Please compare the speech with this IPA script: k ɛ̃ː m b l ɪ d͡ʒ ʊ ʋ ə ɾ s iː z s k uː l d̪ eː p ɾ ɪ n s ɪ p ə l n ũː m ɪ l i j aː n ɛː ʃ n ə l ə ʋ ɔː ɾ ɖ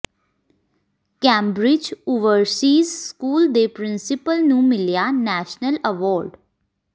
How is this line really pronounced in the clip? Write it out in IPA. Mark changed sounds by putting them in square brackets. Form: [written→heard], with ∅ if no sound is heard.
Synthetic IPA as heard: k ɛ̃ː m b [l→ɾ] ɪ d͡ʒ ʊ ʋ ə ɾ s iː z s k uː l d̪ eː p ɾ ɪ n s ɪ p ə l n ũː m ɪ l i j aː n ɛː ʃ n ə l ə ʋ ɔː ɾ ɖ